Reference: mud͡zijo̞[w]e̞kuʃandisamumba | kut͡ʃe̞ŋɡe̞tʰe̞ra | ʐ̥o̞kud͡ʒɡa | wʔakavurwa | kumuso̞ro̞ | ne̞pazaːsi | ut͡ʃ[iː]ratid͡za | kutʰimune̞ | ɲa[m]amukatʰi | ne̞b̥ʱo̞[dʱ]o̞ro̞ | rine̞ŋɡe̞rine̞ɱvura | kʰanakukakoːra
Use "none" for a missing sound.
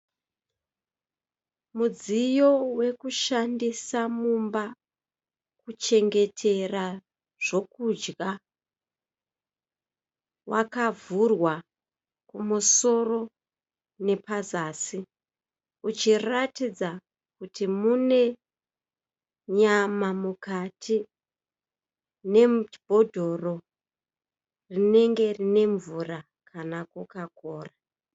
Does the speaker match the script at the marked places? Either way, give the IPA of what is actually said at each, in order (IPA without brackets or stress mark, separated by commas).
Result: w, i, m, dʱ